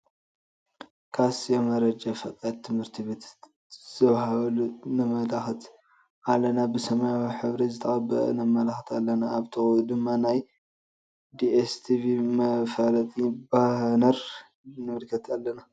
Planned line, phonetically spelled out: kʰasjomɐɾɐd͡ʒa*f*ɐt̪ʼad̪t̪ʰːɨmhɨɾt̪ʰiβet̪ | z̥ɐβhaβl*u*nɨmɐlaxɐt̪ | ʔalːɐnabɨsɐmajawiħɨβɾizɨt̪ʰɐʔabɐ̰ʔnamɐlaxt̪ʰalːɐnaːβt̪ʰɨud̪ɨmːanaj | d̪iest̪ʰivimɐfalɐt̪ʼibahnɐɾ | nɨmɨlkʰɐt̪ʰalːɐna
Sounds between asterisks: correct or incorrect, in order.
correct, correct

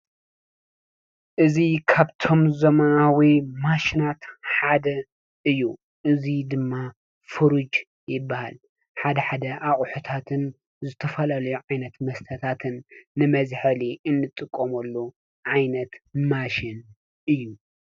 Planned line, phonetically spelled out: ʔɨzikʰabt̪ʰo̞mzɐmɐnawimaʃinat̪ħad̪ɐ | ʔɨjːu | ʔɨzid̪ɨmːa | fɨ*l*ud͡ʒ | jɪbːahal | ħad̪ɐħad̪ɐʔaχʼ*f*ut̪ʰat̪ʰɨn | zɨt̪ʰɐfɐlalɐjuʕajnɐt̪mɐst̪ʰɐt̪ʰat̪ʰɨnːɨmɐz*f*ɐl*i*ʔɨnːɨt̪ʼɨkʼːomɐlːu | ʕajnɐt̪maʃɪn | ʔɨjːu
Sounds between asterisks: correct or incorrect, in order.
incorrect: ɾ, incorrect: ħ, incorrect: ħ, correct

